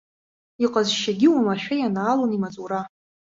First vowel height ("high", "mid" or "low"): high